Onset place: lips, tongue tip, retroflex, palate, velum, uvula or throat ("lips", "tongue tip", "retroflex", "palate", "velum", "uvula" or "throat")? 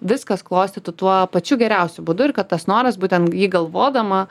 lips